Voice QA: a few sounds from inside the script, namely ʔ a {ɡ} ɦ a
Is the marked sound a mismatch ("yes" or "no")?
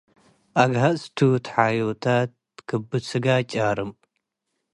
no